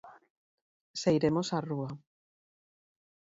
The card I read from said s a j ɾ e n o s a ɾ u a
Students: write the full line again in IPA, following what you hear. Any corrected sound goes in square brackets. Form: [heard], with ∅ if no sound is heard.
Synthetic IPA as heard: s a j ɾ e [m] o s a [r] u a